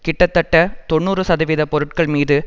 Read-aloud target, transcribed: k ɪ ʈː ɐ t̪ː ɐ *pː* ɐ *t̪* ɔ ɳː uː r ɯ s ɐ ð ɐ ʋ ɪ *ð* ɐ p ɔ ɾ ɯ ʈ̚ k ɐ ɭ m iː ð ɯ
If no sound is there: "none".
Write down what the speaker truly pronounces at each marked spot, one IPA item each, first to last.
ʈː, t̪, ð

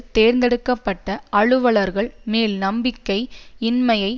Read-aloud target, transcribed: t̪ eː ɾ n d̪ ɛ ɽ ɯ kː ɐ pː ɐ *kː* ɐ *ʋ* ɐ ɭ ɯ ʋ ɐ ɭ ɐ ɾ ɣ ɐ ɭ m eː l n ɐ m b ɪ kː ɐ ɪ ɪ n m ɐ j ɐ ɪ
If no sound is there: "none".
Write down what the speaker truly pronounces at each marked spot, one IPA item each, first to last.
ʈː, none

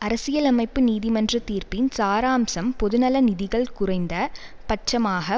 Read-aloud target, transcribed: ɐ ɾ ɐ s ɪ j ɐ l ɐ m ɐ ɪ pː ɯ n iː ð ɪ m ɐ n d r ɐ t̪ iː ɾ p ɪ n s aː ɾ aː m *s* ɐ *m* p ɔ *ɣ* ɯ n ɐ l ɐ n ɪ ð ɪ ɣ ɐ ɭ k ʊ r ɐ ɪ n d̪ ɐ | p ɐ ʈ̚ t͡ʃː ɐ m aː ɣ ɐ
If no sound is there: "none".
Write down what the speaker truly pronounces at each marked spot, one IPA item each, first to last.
s, m, ð

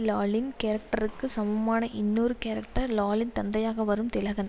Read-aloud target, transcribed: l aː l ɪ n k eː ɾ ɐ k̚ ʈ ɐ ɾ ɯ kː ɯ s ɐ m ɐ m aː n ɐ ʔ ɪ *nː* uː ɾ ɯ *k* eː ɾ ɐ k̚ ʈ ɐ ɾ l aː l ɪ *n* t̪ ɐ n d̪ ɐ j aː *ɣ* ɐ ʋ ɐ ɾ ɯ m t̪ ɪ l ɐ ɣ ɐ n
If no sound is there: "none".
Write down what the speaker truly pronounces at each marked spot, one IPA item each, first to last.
nː, k, n, ɣ

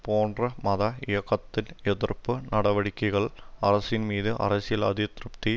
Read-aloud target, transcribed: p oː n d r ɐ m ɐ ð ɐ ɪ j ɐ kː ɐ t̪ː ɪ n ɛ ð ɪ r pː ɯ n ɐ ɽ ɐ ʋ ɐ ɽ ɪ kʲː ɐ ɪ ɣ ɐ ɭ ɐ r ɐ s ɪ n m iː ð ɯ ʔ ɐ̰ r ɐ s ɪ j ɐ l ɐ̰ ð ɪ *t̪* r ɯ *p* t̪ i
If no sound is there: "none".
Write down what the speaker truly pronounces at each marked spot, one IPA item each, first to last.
t̪, p

